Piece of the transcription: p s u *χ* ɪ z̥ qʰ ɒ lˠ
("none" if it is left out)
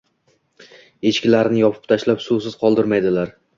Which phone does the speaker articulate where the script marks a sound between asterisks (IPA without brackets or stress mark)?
s